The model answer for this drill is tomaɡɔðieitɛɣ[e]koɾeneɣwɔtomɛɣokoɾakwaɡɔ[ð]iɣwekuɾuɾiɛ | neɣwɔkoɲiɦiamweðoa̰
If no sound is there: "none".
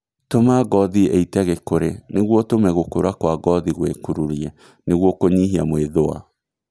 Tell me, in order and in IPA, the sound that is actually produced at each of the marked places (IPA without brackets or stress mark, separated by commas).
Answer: e, ð